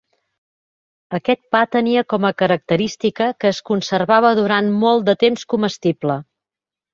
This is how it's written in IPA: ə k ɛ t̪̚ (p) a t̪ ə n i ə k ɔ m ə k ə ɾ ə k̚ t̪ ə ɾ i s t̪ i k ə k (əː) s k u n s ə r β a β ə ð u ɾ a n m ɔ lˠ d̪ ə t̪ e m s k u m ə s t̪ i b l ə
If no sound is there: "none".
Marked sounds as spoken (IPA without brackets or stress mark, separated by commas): p, əː